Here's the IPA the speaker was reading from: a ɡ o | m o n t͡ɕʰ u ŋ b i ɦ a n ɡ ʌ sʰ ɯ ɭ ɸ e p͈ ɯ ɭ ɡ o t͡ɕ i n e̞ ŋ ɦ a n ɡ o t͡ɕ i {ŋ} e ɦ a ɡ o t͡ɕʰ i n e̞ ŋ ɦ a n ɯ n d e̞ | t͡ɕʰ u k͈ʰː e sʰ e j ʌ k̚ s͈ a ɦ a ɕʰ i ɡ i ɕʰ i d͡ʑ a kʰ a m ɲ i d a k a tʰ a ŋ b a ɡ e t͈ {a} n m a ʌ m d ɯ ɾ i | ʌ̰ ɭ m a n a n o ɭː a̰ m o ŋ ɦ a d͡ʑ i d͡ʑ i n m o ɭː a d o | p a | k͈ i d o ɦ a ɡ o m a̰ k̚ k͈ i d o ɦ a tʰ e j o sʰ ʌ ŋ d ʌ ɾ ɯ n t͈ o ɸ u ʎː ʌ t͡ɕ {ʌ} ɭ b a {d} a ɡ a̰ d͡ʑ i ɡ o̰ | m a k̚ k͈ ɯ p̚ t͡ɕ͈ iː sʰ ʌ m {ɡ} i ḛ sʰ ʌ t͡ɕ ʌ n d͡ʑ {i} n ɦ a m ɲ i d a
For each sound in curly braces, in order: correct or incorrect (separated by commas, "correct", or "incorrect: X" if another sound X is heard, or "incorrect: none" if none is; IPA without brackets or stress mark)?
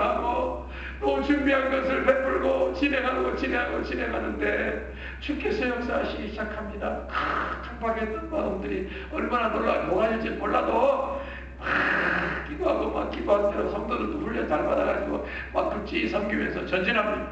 incorrect: n, incorrect: ʌ, incorrect: a, correct, correct, correct